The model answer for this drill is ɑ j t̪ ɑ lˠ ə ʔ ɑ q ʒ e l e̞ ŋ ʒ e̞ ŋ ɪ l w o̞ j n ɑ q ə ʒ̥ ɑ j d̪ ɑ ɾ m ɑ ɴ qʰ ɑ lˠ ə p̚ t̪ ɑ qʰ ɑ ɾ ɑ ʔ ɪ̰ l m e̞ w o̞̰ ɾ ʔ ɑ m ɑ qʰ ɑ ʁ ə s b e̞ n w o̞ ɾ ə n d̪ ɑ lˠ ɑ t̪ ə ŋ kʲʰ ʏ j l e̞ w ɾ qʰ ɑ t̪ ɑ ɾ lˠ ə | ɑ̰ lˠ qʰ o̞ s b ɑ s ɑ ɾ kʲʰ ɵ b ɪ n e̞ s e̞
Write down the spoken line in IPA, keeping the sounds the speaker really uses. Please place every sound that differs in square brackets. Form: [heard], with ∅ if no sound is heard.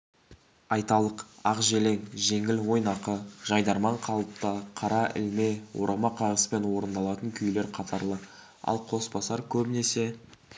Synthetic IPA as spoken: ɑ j t̪ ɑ lˠ ə [q] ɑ q ʒ e l e̞ ŋ ʒ e̞ ŋ ɪ l w o̞ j n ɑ q ə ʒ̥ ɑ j d̪ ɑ ɾ m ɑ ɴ qʰ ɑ lˠ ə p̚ t̪ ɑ qʰ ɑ ɾ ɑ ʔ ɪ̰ l m e̞ w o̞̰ ɾ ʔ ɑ m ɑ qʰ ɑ ʁ ə s [p] e̞ n w o̞ ɾ ə n d̪ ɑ lˠ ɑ t̪ ə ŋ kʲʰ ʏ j l e̞ [∅] ɾ qʰ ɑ t̪ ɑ ɾ lˠ ə | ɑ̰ lˠ qʰ o̞ s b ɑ s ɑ ɾ kʲʰ ɵ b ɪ n e̞ s e̞